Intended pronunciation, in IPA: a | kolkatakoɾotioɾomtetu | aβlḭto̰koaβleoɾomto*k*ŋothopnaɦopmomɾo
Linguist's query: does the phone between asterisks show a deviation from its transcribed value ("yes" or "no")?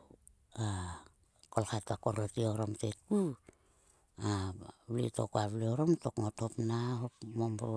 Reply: no